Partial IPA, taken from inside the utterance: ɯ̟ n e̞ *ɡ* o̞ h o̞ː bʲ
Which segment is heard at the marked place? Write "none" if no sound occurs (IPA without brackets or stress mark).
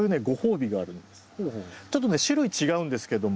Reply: ɡ